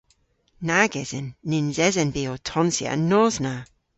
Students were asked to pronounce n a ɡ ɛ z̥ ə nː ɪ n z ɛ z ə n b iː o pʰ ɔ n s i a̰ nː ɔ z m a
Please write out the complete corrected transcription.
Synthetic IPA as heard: n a ɡ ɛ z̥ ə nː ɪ n z ɛ z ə n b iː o tʰ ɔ n s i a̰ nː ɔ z n a